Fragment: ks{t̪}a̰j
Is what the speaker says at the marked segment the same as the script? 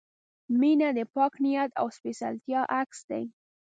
no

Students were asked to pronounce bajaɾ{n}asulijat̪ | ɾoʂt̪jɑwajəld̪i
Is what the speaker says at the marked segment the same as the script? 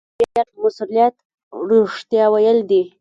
no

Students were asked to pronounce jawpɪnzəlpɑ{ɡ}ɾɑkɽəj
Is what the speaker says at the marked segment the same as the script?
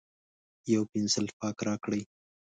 no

